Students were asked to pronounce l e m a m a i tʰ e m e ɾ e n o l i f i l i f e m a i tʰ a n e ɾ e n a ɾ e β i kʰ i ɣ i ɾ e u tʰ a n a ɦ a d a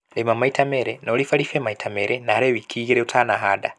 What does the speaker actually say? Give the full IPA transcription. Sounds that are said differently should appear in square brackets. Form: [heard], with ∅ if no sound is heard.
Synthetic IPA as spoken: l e m a m a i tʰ [a] m e ɾ e n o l i f [a] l i f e m a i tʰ a [m] e ɾ e n a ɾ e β i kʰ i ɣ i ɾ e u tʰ a n a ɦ a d a